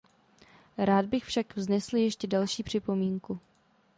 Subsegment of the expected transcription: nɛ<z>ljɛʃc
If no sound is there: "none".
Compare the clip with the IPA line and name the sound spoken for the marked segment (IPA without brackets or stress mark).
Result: s